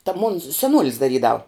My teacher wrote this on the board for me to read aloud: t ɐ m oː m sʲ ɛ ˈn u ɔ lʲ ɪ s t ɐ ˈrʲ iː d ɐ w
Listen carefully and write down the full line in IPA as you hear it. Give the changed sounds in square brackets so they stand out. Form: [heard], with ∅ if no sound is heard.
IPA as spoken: t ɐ m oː [n] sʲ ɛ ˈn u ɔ lʲ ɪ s [d] ɐ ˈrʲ iː d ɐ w